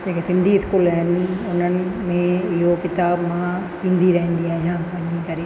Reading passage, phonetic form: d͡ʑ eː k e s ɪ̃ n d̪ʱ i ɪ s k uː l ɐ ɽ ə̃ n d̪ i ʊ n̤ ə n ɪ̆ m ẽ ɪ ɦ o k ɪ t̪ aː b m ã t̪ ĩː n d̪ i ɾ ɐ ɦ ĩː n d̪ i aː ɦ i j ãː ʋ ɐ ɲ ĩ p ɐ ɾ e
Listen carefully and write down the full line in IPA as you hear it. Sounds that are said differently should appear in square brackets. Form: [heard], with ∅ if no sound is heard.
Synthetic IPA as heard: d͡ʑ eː k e s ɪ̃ n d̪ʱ i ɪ s k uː l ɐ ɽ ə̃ n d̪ i ʊ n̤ ə n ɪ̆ m ẽ ɪ ɦ o k ɪ t̪ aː b m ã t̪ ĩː n d̪ i ɾ ɐ ɦ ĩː n d̪ i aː ɦ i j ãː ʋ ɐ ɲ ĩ [k] ɐ ɾ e